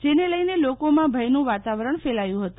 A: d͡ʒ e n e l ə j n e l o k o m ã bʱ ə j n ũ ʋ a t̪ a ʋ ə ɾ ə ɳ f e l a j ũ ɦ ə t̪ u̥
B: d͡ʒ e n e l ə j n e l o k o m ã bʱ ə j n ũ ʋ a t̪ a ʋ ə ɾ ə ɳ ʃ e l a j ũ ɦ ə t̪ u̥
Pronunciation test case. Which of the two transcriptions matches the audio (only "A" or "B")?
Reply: A